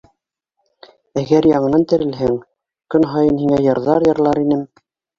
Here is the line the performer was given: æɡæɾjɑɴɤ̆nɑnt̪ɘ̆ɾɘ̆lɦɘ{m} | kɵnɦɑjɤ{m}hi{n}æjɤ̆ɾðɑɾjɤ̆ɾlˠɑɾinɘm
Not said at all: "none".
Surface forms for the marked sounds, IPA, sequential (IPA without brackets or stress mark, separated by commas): ŋ, n, ŋ